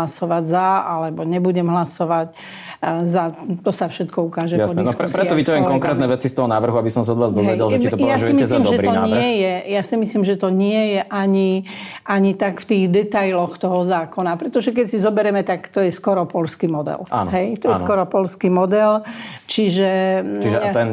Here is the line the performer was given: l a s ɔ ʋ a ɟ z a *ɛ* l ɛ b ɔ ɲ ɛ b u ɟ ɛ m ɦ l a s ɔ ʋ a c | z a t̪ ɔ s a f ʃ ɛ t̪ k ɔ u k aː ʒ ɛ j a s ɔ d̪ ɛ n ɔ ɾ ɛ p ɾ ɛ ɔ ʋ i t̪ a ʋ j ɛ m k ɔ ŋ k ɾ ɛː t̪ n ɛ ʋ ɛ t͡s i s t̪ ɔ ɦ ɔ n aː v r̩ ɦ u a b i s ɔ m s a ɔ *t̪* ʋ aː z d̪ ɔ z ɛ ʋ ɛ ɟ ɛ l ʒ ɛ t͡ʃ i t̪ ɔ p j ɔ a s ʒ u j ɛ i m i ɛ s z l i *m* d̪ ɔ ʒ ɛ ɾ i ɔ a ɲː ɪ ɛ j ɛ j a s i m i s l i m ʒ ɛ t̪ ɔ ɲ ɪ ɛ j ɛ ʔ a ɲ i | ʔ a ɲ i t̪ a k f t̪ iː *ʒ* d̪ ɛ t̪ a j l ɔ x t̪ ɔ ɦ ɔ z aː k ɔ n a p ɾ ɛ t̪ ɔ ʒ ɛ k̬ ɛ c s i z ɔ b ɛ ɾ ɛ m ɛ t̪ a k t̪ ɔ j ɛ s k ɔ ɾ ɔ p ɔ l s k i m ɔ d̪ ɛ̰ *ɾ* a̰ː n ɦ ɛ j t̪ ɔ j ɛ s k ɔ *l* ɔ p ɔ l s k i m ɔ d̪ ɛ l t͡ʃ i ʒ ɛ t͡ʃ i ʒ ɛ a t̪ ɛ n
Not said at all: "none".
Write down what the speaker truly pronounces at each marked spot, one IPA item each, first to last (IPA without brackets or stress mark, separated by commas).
a, d̪, m, ɣ, l, ɾ